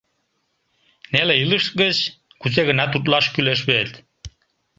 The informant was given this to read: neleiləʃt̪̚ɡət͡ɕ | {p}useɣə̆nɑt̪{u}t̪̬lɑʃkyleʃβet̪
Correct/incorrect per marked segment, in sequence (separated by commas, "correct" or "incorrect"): incorrect, correct